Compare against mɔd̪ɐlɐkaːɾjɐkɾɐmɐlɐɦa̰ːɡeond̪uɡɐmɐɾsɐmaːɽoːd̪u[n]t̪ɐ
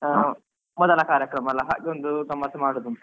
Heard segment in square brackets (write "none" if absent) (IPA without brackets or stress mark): n